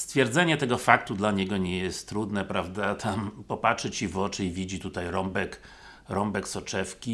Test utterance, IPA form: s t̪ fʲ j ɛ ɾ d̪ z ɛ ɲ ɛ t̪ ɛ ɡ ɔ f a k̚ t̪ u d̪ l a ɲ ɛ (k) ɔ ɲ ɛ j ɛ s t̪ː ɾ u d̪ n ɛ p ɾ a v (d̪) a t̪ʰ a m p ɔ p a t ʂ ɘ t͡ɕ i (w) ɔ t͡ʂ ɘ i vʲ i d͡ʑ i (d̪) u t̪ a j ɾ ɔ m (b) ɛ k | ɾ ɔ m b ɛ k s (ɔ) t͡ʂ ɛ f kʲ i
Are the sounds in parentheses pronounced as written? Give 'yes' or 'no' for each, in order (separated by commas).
no, yes, no, no, yes, yes